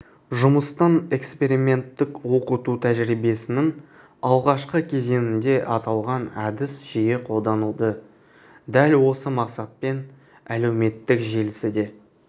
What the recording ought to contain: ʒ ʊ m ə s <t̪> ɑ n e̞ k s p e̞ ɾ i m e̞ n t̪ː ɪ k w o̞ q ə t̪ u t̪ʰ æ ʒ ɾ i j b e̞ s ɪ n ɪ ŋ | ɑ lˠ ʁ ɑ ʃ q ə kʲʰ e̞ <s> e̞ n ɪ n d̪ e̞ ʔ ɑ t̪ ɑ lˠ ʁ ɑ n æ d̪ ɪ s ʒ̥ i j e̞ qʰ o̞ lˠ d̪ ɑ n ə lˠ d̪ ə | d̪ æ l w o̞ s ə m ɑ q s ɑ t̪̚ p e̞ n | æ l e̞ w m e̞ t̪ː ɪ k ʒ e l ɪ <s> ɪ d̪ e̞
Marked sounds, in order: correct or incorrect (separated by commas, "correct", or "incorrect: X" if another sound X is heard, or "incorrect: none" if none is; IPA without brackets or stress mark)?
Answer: correct, incorrect: z, correct